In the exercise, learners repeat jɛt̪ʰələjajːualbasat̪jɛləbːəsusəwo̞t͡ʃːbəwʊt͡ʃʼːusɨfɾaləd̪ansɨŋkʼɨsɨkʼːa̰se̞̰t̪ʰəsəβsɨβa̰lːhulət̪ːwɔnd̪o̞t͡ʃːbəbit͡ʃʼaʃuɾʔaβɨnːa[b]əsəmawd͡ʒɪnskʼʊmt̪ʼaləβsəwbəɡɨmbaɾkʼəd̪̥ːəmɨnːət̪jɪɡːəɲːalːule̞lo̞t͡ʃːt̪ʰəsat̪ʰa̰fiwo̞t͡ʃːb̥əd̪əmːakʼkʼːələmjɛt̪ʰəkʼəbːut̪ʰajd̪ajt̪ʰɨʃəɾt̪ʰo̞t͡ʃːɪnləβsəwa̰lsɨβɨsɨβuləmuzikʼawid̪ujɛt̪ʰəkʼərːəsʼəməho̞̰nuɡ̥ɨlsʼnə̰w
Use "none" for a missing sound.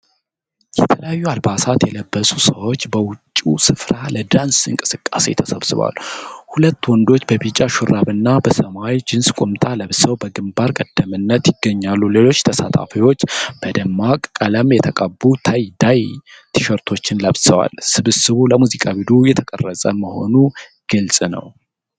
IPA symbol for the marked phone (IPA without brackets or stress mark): b